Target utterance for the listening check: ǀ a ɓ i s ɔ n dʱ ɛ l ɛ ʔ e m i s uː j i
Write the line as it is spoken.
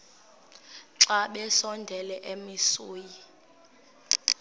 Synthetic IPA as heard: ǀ a ɓ ɛ s ɔ n dʱ ɛ l ɛ ʔ e m i s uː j i